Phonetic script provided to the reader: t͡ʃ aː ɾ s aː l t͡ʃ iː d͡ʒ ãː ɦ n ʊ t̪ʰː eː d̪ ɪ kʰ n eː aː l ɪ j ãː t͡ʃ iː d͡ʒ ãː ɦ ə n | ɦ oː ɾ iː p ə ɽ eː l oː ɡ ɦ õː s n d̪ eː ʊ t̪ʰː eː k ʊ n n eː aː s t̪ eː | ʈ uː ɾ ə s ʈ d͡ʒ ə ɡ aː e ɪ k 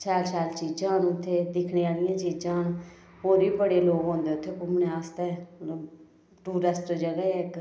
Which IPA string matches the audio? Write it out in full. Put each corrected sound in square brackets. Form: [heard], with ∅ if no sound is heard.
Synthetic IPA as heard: t͡ʃ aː ɾ s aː l t͡ʃ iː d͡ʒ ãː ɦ n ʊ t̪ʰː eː d̪ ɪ kʰ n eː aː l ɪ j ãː t͡ʃ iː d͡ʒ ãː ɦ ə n | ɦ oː ɾ iː [b] ə ɽ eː l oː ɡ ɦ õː [∅] n d̪ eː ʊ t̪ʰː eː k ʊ [m] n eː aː s t̪ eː | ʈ uː ɾ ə s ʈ d͡ʒ ə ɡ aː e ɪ k